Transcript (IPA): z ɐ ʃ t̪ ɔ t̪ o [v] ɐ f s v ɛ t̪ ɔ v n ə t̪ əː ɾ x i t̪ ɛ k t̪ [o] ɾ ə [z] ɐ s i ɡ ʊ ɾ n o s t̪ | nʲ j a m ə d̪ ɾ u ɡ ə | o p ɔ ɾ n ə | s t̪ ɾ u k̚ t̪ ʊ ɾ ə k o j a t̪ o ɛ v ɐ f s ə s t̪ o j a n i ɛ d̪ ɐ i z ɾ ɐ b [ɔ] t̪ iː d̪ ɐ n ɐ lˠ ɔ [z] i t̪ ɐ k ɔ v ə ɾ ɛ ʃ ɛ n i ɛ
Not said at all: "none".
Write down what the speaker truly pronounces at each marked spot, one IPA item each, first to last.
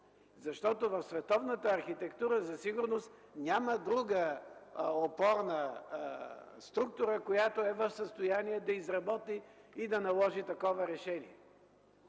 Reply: v, u, z, ɔ, ʒ

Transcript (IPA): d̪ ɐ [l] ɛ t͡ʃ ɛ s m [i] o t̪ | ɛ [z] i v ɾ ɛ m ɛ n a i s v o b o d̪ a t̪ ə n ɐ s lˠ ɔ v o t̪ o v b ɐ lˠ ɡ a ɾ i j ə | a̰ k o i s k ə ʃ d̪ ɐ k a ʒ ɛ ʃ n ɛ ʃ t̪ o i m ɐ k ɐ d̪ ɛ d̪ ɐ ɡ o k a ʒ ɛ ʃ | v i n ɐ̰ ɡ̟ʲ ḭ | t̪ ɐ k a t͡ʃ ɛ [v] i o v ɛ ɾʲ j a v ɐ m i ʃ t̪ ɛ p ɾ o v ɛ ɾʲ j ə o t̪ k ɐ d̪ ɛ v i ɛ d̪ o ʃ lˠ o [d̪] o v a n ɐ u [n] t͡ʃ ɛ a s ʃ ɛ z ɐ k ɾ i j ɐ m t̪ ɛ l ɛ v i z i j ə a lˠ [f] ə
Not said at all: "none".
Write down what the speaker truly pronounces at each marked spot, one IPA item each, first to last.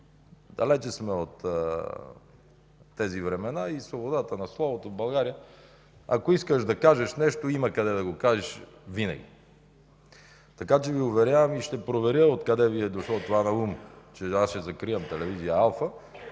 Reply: l, ɛ, z, v, t̪, m, f

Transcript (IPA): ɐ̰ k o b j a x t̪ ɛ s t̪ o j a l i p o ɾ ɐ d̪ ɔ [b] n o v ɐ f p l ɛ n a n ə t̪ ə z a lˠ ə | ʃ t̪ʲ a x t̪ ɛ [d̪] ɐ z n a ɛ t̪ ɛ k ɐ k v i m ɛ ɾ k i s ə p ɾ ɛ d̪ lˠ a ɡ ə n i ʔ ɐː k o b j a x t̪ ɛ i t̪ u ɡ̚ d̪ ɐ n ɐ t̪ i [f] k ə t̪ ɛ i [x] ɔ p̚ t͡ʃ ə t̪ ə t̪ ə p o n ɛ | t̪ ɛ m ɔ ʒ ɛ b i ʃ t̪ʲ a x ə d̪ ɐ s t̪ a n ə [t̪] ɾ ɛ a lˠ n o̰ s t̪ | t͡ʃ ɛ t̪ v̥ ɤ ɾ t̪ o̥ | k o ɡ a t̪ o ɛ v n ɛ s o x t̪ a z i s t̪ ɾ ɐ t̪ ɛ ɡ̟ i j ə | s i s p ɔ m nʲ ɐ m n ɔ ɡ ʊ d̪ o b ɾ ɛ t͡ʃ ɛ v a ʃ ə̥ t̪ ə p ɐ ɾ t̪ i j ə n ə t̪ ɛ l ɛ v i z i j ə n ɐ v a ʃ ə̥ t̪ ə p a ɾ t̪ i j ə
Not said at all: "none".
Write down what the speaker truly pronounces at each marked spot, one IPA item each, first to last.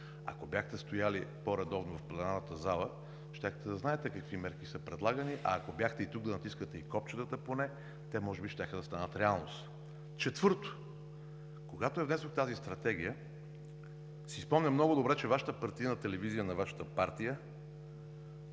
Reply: v, d̪, s, k, t̪

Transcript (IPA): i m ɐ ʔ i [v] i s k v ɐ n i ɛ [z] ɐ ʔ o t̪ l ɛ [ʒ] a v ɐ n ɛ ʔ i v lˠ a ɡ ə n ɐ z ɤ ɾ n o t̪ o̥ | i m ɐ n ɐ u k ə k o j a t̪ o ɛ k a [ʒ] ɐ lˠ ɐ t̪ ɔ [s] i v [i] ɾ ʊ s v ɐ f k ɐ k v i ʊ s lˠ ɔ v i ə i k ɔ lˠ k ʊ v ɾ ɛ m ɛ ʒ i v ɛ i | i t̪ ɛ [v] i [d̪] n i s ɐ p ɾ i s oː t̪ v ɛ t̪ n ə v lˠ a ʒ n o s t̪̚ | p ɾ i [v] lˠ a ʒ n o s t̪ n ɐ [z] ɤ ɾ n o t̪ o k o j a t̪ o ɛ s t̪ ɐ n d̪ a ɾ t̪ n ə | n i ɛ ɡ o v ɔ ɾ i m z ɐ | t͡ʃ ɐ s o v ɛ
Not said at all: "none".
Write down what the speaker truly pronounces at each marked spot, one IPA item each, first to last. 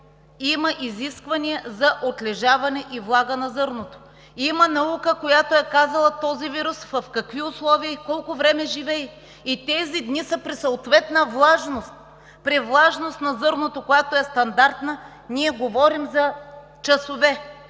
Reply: z, z, ʒ, z, z, i, z, d̪, v, z

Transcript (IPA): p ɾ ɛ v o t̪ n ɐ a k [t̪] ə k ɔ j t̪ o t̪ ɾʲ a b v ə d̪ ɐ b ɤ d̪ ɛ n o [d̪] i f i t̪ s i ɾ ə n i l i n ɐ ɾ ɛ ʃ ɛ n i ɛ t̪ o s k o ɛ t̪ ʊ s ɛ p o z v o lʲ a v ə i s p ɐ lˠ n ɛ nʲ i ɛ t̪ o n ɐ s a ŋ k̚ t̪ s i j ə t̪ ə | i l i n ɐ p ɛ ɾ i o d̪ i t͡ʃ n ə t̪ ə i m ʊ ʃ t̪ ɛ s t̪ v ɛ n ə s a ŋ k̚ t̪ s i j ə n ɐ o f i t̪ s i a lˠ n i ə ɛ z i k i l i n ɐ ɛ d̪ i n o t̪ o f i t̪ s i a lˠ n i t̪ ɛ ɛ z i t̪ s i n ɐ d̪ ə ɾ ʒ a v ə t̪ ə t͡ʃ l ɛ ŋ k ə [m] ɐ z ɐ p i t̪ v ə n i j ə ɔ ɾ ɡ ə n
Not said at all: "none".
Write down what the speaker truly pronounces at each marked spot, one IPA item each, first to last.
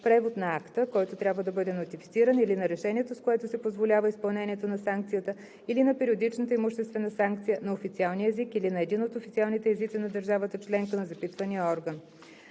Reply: t̪, t̪, n

